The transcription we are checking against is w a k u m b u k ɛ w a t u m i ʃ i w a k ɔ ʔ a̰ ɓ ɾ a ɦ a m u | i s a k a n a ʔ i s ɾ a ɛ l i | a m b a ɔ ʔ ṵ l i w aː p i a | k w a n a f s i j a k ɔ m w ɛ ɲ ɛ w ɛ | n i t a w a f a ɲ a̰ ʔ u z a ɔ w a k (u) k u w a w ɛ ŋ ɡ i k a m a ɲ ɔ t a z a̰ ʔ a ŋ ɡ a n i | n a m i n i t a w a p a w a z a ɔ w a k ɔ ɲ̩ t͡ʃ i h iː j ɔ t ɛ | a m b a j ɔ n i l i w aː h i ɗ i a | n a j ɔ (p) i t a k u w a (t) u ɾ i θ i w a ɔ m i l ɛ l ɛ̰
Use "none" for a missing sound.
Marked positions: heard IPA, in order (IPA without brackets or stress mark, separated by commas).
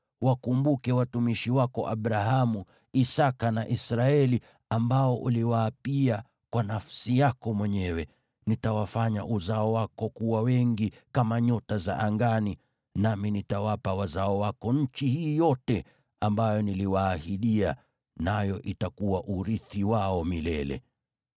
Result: ɔ, ʔ, ʔ